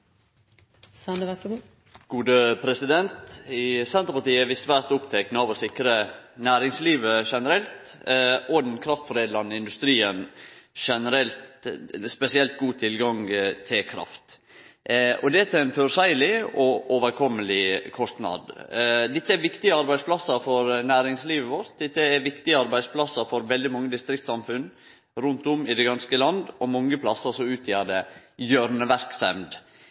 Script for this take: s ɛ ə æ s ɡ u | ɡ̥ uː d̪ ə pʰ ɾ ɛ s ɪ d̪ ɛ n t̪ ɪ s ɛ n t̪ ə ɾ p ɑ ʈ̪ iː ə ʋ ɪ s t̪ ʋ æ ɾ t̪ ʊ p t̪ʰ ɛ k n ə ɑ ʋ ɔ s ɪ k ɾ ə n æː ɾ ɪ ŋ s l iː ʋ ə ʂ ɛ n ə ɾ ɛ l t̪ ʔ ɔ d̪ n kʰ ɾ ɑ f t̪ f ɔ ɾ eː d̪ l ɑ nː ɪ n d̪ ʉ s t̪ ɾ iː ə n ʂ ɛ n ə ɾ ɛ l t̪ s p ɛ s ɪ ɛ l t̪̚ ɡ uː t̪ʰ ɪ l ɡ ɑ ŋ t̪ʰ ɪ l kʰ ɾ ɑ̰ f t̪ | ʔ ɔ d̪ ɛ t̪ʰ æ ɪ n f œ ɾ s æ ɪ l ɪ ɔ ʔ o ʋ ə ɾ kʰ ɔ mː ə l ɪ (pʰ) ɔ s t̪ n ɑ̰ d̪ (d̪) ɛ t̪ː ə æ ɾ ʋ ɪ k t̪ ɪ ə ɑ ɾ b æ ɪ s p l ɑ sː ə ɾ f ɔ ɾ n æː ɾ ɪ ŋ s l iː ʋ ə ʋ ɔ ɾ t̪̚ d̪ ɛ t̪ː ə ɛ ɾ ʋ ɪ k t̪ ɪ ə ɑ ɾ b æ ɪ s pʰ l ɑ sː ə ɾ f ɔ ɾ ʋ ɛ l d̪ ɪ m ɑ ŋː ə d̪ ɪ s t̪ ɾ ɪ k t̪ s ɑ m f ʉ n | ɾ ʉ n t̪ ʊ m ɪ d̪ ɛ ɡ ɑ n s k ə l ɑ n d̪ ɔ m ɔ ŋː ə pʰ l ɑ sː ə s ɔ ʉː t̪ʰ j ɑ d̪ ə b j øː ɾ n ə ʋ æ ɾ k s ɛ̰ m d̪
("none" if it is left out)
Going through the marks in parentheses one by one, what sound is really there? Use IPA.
kʰ, d̪

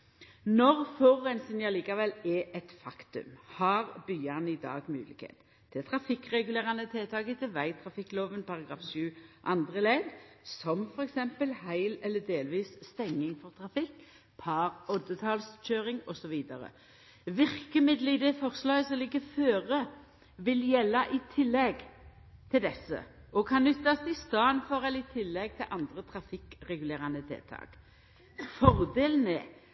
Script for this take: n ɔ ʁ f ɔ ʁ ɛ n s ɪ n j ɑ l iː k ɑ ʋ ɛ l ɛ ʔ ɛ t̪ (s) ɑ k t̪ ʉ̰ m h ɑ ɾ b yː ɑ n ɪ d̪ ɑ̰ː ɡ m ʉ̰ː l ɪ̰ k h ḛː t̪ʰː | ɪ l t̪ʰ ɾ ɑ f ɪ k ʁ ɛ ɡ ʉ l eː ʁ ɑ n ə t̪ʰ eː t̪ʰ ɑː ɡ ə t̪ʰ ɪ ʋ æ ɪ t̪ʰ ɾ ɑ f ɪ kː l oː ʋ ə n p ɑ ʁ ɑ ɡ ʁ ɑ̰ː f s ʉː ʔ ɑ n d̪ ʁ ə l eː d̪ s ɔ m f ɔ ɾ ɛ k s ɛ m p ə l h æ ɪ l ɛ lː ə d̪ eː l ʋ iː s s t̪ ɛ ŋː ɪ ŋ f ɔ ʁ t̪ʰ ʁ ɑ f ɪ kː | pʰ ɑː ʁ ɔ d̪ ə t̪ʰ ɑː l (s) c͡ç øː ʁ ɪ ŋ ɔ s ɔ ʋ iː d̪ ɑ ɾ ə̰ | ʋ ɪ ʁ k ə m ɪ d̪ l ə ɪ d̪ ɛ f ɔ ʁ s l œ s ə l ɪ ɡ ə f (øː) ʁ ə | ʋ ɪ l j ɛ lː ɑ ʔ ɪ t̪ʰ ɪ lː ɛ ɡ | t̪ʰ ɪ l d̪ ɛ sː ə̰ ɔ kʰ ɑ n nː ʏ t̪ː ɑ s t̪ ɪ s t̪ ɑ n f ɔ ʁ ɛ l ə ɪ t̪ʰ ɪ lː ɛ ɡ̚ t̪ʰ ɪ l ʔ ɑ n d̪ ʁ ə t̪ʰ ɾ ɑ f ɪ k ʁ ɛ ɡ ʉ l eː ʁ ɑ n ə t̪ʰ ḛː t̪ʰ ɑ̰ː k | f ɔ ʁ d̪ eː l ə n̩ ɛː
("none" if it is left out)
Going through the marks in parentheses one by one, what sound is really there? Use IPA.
f, s, øː

